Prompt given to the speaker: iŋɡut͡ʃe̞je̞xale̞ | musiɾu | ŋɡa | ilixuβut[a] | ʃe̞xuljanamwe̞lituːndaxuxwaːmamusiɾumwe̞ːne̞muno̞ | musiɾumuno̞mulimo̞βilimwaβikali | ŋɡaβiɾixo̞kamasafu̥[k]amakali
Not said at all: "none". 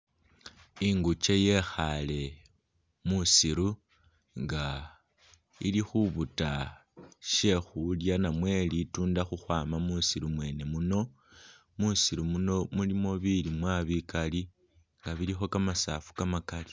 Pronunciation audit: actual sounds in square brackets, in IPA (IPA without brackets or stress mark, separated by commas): a, k